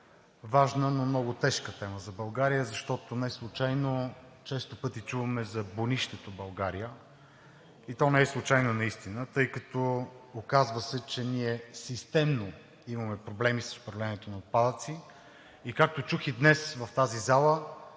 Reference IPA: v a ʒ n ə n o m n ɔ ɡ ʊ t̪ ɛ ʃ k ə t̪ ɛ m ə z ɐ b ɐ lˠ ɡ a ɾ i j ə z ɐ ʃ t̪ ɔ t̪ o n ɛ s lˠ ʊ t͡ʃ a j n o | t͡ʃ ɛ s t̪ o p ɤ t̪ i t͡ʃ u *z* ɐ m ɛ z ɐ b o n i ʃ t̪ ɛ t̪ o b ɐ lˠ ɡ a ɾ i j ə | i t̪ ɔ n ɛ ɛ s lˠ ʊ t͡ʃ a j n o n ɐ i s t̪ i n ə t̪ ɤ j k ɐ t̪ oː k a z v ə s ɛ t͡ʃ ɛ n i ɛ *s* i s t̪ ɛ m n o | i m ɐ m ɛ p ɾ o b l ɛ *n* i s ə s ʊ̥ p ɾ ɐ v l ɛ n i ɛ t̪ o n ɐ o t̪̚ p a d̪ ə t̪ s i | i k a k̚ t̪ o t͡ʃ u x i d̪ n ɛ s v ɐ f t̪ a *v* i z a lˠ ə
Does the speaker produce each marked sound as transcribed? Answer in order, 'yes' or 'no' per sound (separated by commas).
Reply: no, yes, no, no